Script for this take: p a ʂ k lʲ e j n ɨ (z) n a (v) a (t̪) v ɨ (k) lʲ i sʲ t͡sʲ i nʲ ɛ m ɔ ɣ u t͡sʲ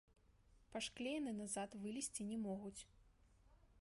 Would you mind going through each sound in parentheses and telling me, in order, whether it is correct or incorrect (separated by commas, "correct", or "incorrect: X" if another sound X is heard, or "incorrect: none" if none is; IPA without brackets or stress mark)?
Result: incorrect: none, incorrect: z, correct, incorrect: none